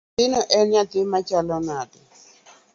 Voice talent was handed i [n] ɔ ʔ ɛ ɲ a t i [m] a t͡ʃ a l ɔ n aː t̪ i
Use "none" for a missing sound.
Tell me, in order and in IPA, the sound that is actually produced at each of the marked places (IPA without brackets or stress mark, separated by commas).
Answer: n, m